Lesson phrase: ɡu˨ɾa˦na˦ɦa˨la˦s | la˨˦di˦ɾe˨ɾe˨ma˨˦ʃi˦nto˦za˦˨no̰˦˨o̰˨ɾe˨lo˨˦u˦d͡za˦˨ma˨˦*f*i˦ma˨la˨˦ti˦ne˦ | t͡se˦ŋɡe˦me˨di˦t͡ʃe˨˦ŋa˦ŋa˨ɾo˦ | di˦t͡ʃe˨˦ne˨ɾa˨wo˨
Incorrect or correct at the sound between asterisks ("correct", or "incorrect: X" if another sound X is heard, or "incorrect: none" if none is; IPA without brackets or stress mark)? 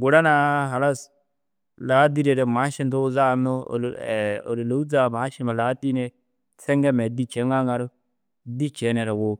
incorrect: ʃ